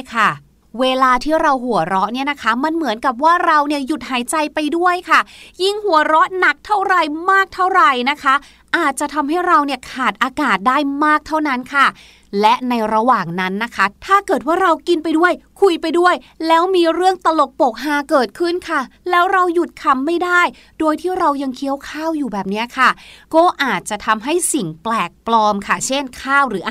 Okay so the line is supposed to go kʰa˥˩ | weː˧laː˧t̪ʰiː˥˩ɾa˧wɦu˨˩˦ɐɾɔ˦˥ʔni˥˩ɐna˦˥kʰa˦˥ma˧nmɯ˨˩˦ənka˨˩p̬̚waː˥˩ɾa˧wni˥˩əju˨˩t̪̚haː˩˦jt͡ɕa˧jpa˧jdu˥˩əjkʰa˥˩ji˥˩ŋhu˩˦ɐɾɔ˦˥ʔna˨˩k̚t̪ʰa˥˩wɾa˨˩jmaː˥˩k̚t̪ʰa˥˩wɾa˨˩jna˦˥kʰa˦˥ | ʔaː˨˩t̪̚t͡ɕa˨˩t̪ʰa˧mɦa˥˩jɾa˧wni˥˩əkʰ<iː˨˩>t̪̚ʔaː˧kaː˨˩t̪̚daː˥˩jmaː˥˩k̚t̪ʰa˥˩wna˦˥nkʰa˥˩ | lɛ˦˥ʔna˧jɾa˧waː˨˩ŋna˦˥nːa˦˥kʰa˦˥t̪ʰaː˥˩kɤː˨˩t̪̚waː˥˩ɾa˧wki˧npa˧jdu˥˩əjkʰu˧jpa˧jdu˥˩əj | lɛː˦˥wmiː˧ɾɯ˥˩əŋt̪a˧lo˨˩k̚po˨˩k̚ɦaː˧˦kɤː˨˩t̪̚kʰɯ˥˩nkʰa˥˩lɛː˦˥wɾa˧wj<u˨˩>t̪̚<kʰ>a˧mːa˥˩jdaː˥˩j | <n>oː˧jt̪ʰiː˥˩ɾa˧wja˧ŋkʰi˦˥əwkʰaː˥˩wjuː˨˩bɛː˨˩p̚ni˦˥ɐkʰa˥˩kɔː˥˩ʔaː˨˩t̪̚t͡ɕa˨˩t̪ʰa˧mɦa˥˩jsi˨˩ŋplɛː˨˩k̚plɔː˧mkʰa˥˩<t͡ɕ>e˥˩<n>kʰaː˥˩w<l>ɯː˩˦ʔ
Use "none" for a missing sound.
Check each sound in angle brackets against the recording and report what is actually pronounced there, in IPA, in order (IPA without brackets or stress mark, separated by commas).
aː˨˩, u˨˩, kʰ, d, t͡ɕʰ, n, ɾ